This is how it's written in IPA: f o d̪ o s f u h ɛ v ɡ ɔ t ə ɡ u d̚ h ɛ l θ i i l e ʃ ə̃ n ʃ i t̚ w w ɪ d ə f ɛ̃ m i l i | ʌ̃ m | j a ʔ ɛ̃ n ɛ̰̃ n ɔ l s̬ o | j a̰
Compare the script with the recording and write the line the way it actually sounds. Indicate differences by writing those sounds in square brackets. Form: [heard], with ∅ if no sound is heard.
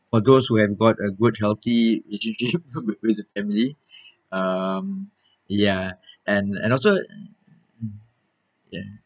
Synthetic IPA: f [ɔ] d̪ o s [h] u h ɛ v ɡ ɔ t ə ɡ u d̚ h ɛ l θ i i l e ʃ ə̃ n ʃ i [p̚] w w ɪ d ə f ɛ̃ m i l i | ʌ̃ m | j a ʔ ɛ̃ n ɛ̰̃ n ɔ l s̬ o | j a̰